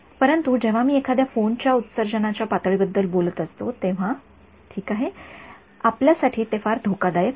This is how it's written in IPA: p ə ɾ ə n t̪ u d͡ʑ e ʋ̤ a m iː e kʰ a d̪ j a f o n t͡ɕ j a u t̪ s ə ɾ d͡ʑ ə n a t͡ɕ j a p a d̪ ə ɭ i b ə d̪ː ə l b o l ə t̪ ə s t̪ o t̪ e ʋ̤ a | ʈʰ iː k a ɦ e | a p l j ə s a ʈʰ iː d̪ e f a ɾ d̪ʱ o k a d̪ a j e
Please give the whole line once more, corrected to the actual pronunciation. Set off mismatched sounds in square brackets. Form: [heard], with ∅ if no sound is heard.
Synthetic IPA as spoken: p ə ɾ ə n t̪ u d͡ʑ e ʋ̤ a m iː e kʰ a d̪ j a f o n t͡ɕ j a u t̪ s ə ɾ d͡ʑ ə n a t͡ɕ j a p a [t̪] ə ɭ i b ə d̪ː ə l b o l ə t̪ ə s t̪ o t̪ e ʋ̤ a | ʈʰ iː k a ɦ e | a p l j [a] s a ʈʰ iː [t̪] e f a ɾ d̪ʱ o k a d̪ a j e